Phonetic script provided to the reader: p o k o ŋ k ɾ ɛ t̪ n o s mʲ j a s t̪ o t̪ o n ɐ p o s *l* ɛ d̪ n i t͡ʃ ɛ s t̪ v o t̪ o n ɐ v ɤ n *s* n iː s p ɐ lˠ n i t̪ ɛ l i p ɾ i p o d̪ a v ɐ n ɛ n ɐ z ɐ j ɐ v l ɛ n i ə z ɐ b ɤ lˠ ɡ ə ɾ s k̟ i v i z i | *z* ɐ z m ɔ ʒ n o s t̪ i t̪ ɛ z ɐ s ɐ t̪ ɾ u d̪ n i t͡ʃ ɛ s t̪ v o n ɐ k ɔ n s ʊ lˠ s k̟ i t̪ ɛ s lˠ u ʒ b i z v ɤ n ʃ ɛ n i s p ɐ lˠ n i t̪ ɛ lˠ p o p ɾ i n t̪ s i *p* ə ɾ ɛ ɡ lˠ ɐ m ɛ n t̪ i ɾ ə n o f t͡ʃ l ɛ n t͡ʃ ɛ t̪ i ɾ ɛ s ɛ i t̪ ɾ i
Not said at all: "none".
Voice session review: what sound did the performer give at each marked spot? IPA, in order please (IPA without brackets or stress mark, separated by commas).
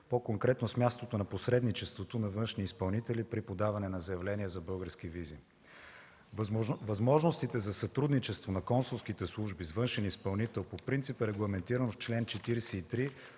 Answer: ɾ, ʃ, v, p